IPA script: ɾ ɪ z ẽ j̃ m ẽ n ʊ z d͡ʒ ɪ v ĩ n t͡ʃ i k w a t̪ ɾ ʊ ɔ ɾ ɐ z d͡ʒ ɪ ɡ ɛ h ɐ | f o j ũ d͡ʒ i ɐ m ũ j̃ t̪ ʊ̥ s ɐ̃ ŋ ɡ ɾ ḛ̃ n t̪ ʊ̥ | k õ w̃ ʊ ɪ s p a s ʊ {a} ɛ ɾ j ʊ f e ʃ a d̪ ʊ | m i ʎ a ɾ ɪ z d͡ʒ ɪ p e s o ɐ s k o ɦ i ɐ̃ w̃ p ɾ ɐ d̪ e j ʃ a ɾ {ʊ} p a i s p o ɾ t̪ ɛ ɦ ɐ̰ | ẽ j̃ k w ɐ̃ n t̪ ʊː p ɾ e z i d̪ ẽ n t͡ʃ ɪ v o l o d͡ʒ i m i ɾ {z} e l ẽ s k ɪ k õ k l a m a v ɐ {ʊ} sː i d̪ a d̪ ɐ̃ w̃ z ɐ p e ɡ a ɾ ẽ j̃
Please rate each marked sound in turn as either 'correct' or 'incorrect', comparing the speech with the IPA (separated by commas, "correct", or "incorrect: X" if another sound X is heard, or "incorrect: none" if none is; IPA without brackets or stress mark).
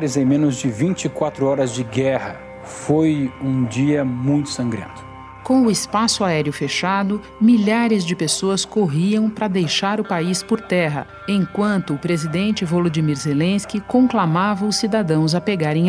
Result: correct, correct, correct, correct